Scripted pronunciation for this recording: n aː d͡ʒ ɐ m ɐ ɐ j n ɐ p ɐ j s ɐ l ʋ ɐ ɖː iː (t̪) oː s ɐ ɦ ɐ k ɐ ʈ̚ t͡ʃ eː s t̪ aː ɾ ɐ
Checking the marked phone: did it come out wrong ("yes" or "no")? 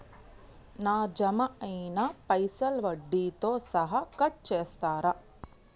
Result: no